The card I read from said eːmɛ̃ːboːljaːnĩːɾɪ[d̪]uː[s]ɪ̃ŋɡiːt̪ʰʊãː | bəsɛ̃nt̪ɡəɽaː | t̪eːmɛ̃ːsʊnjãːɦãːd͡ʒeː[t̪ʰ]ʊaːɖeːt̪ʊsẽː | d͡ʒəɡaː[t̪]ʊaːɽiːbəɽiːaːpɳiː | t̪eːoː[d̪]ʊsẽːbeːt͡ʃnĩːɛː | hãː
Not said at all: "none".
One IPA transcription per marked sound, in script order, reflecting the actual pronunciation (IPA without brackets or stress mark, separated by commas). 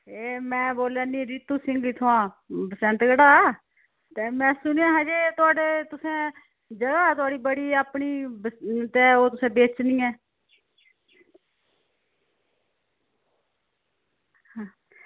t̪, s, t̪, t̪, t̪